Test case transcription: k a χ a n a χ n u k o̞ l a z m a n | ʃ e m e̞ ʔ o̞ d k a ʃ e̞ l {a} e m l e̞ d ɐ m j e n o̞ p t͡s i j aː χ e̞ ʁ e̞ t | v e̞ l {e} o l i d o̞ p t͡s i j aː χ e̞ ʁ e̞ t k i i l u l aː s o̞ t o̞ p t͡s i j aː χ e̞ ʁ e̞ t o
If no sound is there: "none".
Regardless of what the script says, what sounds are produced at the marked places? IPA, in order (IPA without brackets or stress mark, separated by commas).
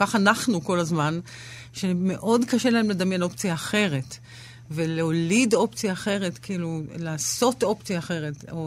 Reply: a, e